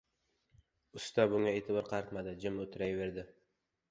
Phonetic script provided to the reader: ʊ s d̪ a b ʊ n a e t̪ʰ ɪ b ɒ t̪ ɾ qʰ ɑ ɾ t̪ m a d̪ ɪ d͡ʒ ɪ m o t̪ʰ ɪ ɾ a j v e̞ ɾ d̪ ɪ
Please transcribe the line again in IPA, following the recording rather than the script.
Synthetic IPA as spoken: ʊ s t̪ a b ʊ ŋ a e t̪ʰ ɪ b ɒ ɾ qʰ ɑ ɾ t̪ m a d̪ ɪ d͡ʒ ɪ m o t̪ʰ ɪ ɾ a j v e̞ ɾ d̪ ɪ